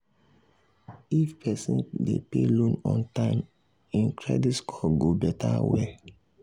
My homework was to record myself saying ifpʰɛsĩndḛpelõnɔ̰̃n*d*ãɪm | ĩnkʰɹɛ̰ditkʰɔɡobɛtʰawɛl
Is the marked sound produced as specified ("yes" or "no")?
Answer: no